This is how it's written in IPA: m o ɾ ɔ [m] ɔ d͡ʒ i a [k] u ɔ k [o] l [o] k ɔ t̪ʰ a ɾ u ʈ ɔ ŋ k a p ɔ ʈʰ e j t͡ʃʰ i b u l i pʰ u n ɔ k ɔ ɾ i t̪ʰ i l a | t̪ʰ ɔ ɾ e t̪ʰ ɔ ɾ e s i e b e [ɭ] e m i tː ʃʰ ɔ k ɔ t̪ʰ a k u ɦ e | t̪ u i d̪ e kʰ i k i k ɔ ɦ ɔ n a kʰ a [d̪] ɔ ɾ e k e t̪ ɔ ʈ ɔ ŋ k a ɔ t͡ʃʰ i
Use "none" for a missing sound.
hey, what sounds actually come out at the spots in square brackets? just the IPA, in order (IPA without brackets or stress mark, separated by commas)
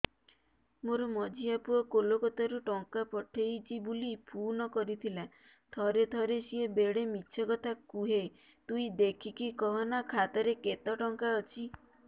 m, p, o, o, ɽ, t̪